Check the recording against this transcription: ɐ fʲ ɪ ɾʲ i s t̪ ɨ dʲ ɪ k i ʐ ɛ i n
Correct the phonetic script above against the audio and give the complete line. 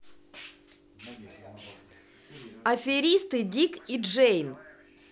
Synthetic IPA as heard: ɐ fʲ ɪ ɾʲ i s t̪ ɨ dʲ i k i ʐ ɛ j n